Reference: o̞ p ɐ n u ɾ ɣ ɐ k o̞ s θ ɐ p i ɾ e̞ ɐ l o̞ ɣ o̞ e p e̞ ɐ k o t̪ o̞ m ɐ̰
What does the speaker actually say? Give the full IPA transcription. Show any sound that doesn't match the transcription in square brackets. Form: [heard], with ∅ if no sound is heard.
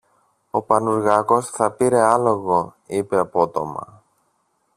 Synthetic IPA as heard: o̞ p ɐ n u ɾ ɣ ɐ k o̞ s θ ɐ p i ɾ e̞ ɐ l o̞ ɣ o̞ [i] p e̞ ɐ [p] o t̪ o̞ m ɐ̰